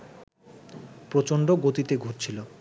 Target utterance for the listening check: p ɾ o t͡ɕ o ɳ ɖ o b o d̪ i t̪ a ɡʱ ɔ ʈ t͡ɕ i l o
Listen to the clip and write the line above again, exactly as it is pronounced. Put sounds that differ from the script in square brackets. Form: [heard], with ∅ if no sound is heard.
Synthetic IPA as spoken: p ɾ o t͡ɕ o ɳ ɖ o [ɡ] o [t̪] i t̪ [e] ɡʱ [o] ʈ [t͡ɕʰ] i l o